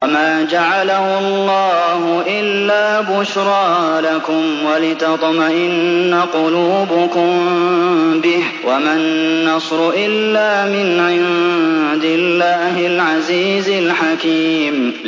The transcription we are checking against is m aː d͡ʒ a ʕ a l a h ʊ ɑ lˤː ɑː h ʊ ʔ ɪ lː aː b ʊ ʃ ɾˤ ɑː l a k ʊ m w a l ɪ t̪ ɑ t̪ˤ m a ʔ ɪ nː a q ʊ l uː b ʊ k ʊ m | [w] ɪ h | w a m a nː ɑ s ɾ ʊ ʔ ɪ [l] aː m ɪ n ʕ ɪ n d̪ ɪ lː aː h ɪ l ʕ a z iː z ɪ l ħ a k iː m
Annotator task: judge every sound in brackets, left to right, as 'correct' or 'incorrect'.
incorrect: b, incorrect: lː

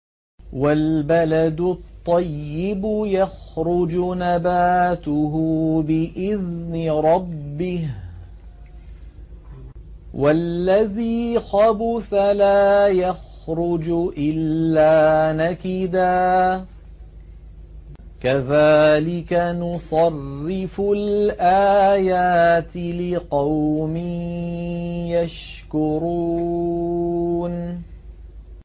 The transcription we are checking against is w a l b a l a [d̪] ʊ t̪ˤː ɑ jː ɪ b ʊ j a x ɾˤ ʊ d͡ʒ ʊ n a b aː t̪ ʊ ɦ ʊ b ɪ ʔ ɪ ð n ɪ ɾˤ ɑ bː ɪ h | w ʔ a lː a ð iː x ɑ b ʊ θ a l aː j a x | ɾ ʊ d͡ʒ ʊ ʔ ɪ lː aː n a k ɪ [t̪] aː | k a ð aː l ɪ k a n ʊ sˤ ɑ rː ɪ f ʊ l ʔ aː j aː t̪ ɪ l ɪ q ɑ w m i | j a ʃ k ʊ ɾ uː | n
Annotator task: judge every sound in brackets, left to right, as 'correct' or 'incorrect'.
correct, incorrect: d̪

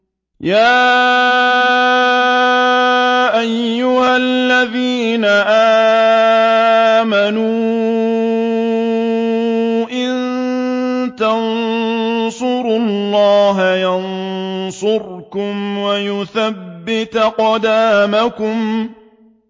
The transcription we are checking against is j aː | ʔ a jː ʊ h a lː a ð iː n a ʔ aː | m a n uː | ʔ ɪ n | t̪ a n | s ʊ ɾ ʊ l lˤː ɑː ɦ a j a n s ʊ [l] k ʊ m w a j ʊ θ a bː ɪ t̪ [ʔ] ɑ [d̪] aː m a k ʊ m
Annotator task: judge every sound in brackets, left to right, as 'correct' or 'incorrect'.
incorrect: ɾ, incorrect: q, correct

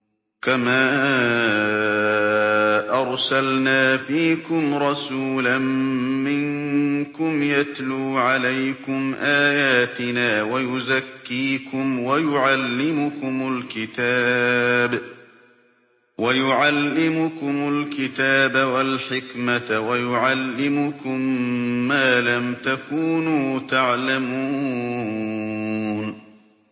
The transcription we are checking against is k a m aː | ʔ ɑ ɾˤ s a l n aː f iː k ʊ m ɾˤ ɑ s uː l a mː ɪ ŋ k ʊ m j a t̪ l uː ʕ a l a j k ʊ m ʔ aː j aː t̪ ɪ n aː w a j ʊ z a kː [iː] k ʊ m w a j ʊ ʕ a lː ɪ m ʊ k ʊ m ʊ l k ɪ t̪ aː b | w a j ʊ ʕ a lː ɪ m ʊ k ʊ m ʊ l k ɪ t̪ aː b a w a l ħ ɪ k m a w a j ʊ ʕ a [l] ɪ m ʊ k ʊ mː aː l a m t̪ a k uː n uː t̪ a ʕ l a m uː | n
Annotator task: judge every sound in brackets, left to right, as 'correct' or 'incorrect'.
correct, incorrect: lː

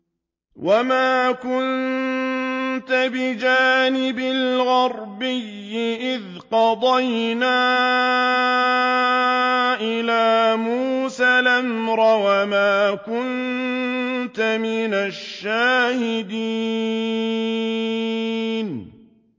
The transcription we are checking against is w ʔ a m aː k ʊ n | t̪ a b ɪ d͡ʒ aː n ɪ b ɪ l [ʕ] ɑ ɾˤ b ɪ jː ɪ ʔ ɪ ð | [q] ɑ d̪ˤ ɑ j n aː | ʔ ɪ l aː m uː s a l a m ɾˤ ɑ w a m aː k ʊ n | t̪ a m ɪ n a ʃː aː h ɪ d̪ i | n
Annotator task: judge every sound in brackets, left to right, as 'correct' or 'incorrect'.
incorrect: ɣ, correct

